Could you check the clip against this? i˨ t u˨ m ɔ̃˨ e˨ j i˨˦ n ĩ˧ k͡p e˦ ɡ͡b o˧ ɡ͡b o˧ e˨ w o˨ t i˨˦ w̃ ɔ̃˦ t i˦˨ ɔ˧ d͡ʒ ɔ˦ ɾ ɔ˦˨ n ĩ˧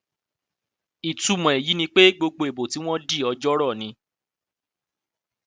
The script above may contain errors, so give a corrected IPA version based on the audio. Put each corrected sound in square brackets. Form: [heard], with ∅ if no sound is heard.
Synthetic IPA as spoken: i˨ t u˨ m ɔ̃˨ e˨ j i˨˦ n ĩ˧ k͡p e˦ ɡ͡b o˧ ɡ͡b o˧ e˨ [b] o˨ t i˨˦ w̃ ɔ̃˦ [d] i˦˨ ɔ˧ d͡ʒ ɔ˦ ɾ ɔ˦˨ n ĩ˧